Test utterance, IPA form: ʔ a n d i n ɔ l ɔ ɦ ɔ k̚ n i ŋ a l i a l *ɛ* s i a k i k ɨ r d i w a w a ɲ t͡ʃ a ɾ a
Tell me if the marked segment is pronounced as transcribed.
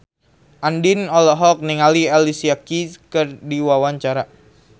no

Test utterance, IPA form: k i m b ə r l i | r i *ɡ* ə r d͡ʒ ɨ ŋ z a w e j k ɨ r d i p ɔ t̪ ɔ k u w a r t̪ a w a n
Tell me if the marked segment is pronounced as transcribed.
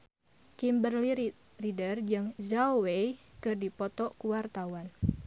no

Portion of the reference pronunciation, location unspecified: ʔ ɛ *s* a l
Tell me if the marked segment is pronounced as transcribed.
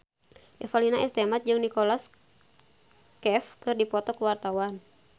no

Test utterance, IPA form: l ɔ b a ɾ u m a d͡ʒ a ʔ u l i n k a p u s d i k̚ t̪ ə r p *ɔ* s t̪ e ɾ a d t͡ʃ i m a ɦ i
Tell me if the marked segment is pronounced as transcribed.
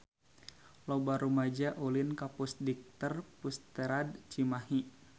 no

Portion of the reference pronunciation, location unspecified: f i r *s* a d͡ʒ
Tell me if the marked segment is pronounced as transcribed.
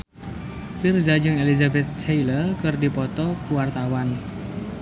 no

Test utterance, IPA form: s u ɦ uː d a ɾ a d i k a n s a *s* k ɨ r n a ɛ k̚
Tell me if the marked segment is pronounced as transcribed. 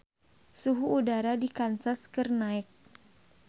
yes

